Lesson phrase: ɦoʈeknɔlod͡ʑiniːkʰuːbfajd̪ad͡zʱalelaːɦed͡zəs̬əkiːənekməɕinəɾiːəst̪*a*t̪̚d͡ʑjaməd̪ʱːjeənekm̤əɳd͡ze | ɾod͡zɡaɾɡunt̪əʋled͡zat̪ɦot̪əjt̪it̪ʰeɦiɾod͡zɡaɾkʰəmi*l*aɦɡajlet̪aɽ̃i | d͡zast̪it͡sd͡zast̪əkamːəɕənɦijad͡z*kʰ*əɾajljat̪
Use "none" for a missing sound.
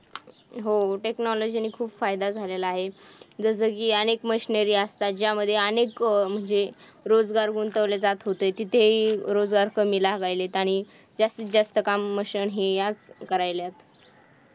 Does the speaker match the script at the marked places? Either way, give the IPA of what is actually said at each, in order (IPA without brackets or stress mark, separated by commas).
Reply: a, l, k